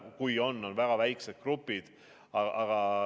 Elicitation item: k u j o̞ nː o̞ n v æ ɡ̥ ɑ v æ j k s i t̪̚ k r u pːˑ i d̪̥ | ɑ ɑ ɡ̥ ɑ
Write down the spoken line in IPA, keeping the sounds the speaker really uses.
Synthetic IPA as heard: k u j o̞ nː o̞ n v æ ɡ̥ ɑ v æ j k s e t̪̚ k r u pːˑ i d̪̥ | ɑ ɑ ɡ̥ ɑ